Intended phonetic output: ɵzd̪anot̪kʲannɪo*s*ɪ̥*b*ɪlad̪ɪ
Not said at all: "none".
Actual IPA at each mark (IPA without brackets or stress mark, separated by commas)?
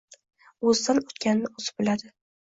z, b